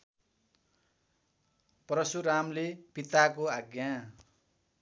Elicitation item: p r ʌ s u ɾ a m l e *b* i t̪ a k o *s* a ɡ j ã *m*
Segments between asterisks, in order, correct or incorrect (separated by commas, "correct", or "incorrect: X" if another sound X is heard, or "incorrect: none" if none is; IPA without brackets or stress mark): incorrect: p, incorrect: none, incorrect: none